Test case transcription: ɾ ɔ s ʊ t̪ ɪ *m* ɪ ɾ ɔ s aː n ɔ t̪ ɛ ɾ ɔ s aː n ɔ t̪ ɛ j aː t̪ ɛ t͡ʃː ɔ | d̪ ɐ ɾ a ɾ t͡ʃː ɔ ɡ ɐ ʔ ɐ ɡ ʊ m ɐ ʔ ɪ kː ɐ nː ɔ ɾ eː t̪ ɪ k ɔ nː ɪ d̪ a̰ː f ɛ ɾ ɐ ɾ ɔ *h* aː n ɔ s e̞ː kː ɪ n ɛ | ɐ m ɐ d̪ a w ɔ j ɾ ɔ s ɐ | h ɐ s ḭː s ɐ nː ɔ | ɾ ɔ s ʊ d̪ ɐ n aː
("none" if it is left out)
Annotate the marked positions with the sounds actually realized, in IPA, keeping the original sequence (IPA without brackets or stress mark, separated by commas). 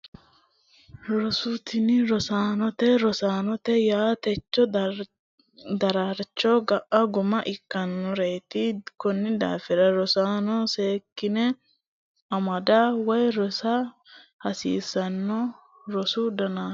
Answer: n, s